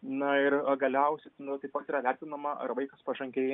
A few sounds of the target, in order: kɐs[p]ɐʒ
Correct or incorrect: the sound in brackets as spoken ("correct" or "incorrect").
correct